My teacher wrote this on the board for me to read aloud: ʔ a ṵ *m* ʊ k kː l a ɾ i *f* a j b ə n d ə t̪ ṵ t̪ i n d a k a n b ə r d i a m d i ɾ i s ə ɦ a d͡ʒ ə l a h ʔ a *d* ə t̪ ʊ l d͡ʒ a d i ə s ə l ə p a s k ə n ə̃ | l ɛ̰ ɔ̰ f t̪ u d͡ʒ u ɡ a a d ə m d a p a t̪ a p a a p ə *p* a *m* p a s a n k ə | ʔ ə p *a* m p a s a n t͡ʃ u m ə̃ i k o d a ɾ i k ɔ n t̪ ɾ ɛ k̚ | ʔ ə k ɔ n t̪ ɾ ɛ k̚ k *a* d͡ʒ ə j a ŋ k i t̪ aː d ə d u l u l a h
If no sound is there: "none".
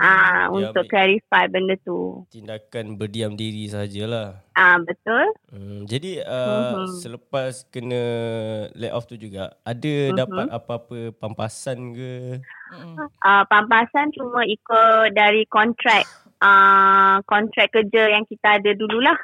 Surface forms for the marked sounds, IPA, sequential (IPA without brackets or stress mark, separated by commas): n, f, b, p, m, a, ə